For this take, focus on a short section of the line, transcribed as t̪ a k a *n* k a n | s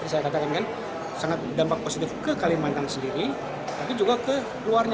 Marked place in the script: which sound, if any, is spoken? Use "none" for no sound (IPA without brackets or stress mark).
n